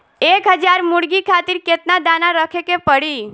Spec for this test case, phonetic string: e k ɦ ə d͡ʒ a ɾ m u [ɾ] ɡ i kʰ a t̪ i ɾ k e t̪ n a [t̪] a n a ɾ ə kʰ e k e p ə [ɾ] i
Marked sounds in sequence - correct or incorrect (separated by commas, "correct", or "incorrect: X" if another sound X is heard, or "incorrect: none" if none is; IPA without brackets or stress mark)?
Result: incorrect: ɽ, incorrect: d̪, incorrect: ɽ